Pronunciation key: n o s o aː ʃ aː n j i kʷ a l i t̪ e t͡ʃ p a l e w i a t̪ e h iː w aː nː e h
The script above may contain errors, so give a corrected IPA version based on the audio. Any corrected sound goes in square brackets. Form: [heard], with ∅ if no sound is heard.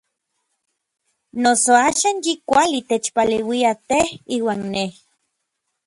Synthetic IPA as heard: n o s o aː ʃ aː n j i kʷ a l i t̪ e t͡ʃ p a l e w i a t̪ e h iː w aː nː e h